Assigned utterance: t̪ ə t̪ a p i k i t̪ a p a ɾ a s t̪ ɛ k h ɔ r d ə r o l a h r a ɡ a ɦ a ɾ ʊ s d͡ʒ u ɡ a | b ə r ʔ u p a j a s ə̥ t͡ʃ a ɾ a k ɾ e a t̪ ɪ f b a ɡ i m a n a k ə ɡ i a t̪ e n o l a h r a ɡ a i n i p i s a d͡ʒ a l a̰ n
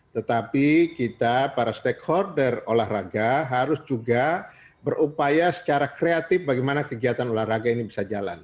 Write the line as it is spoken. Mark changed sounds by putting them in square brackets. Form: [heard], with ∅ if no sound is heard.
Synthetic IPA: t̪ ə t̪ a p i k i t̪ a p a ɾ a s t̪ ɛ k h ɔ r d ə r o l a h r a ɡ a ɦ a ɾ ʊ s d͡ʒ u ɡ a | b ə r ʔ u p a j a s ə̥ t͡ʃ a ɾ a k ɾ e a t̪ ɪ f b a ɡ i m a n a k ə ɡ i a t̪ [a] n o l a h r a ɡ a i n i [b] i s a d͡ʒ a l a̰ n